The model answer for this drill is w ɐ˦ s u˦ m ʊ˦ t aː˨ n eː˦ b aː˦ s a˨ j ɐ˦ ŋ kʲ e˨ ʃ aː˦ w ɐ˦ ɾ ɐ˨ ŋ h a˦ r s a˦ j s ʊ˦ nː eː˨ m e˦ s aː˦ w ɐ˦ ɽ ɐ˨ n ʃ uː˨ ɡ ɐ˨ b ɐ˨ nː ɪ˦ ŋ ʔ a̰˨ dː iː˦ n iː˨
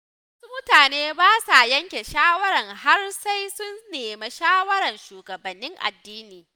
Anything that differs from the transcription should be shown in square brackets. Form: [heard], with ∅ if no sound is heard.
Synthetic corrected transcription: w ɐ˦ s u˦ m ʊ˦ t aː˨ n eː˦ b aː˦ s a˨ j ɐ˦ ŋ kʲ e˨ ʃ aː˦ w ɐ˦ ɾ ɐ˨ ŋ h a˦ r s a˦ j s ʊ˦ nː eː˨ m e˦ [ʃ] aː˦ w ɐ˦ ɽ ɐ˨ n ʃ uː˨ ɡ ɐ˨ b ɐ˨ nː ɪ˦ ŋ ʔ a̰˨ dː iː˦ n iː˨